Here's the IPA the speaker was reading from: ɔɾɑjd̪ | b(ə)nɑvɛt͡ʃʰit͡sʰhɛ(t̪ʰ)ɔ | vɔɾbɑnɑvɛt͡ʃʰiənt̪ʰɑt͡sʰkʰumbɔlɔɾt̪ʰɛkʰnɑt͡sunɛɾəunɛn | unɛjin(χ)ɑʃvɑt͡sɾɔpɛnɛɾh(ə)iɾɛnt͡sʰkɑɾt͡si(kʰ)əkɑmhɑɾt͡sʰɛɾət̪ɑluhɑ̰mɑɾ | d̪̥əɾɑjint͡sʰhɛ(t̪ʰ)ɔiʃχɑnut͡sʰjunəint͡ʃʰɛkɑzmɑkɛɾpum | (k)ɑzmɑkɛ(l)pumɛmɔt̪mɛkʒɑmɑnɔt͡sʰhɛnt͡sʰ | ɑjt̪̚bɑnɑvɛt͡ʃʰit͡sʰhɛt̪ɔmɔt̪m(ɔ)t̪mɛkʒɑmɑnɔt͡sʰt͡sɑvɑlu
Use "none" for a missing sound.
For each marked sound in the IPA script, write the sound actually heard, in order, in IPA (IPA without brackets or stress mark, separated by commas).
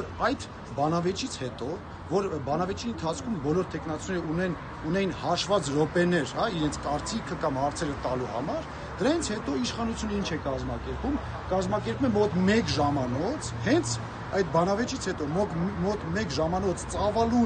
ɑ, t̪, h, ɑ, kʰ, t̪, k, ɾ, ɔ